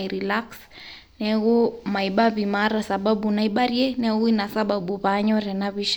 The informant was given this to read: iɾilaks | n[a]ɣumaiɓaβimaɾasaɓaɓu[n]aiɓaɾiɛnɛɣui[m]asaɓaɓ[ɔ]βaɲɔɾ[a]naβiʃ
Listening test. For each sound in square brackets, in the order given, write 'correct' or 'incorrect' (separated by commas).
incorrect, correct, incorrect, incorrect, incorrect